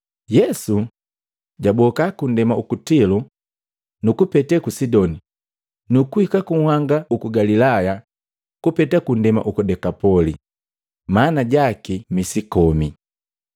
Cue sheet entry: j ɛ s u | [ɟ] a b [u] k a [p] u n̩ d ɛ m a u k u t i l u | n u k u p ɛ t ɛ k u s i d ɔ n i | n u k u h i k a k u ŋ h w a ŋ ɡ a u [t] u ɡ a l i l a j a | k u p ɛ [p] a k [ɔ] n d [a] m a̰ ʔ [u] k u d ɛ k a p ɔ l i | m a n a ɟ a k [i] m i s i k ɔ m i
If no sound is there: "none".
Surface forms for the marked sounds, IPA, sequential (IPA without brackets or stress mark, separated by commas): ɟ, ɔ, k, k, t, u, ɛ, u, i